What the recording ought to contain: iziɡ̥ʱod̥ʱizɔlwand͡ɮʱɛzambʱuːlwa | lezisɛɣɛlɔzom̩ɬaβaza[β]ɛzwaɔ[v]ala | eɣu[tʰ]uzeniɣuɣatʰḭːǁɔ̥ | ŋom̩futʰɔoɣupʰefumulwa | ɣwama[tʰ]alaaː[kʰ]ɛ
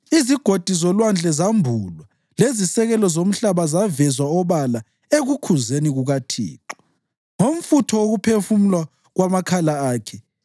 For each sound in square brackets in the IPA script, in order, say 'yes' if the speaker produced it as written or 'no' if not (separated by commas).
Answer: no, no, no, no, yes